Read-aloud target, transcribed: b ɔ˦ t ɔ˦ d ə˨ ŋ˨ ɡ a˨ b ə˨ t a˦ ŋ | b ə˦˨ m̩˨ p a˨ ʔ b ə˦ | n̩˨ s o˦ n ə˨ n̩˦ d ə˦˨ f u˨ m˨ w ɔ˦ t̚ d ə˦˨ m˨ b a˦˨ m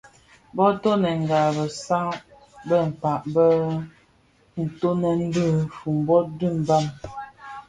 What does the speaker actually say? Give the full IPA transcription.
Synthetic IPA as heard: b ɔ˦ t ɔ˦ n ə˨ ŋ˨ ɡ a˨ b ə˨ s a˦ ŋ | b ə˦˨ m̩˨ p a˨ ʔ b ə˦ | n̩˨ t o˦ n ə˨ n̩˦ d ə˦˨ f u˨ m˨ b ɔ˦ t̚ d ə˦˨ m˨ b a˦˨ m

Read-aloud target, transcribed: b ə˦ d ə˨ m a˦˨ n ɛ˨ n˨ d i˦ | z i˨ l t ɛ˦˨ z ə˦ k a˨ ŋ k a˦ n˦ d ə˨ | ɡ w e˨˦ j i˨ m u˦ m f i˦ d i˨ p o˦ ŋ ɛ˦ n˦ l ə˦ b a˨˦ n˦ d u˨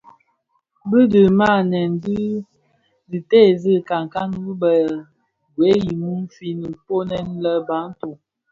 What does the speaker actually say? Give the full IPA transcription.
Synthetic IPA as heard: b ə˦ d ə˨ m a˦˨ n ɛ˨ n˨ d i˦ | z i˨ t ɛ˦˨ z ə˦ k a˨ ŋ k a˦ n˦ b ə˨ | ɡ w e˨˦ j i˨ m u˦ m f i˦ n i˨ p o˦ n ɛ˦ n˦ l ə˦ b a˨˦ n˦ t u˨

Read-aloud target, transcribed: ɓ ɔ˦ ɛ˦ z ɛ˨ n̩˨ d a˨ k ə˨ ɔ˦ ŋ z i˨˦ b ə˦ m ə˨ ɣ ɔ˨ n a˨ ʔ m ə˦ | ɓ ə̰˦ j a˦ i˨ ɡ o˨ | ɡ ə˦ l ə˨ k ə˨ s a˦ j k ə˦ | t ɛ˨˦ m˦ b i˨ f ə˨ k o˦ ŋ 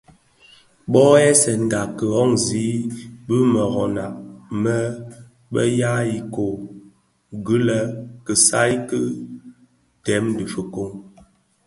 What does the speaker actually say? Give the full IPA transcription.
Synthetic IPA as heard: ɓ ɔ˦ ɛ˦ s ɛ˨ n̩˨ d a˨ k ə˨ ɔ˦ ŋ z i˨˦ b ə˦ m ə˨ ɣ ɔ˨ n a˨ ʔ m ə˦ | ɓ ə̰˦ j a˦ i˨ k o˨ | ɡ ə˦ l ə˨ k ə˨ s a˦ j k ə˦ | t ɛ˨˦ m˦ d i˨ f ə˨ k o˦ ŋ

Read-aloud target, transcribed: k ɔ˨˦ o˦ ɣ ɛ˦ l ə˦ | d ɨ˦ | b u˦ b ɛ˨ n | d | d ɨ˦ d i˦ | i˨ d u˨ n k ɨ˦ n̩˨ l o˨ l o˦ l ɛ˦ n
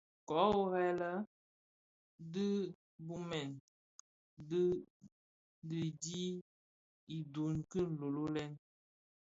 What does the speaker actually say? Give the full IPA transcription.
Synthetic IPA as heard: k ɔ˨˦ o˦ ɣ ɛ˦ l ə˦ | d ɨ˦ | b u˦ m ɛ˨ n | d | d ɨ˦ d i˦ | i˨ d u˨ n k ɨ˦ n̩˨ l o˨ l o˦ l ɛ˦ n

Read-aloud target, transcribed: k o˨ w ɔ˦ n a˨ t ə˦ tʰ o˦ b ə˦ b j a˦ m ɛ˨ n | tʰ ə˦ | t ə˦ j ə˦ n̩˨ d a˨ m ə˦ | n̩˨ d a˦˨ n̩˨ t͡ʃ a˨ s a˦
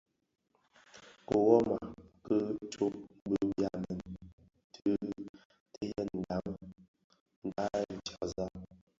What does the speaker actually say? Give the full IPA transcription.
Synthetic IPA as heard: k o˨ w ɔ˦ m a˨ k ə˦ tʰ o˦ b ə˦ b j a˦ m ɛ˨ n | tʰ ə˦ | t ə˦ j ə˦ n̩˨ d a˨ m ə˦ | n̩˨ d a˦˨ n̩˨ t͡ʃ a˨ z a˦

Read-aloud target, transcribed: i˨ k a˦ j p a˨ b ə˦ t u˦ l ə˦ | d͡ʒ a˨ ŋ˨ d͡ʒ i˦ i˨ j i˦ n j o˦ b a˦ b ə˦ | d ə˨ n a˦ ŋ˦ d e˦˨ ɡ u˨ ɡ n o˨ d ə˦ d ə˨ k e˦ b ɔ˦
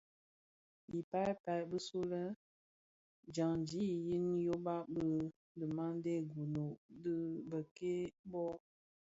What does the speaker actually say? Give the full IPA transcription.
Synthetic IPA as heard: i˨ p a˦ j p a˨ b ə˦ s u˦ l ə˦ | d͡ʒ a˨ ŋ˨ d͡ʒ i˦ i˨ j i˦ n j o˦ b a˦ b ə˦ | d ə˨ m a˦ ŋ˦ d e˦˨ ɡ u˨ n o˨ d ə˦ b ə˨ k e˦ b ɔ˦

